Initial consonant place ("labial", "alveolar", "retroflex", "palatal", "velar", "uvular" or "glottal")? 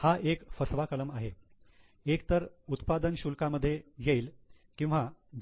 glottal